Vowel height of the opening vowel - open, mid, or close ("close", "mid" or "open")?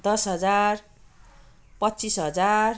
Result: mid